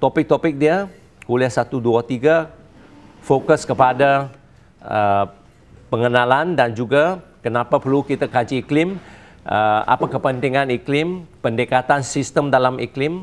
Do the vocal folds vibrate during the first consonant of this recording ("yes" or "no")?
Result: no